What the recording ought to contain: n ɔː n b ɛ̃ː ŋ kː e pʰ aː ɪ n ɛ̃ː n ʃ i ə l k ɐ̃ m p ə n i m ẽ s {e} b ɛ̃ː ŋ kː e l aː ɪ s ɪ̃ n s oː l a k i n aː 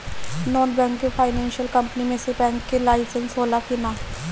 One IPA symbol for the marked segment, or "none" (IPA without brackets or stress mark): e